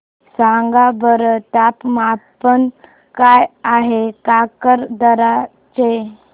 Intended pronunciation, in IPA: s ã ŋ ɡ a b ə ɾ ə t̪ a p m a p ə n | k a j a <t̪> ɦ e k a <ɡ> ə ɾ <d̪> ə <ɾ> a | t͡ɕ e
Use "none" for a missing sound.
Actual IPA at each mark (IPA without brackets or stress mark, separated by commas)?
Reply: none, k, d̪, ɾ